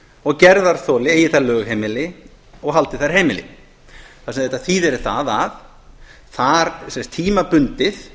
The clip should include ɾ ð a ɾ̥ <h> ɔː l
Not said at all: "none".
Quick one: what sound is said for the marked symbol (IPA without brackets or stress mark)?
θ